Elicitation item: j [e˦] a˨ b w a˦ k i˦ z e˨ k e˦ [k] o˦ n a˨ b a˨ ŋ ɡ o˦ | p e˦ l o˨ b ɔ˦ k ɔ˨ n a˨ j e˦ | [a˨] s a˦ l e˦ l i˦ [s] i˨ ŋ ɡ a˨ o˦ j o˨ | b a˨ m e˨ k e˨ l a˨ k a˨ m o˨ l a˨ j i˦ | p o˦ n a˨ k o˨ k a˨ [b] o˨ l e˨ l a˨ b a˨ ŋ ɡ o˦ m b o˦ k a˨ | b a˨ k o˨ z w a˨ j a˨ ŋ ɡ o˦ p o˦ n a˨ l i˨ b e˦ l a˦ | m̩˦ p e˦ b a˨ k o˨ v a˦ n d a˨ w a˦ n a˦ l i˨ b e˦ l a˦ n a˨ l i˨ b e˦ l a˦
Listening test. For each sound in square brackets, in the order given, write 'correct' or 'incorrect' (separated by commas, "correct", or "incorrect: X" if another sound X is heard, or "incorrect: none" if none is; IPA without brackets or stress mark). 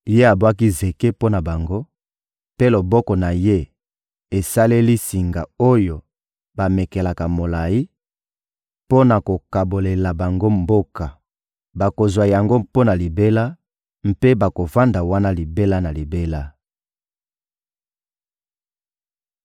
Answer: correct, incorrect: p, incorrect: e˨, correct, correct